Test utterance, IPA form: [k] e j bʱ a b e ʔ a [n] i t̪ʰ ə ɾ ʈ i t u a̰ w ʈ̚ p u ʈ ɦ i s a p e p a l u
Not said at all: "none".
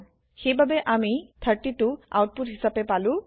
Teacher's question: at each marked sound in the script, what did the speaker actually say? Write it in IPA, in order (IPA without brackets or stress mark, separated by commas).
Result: x, m